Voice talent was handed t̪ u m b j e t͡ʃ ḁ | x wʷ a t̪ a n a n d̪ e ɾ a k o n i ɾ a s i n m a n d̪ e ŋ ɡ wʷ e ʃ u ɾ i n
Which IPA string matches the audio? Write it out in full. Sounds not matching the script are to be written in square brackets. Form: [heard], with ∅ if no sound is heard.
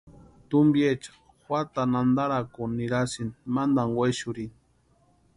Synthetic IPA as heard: t̪ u m b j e t͡ʃ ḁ | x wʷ a t̪ a n a n d̪ [a] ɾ a k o n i ɾ a s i n m a n d̪ [a] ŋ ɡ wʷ e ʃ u ɾ i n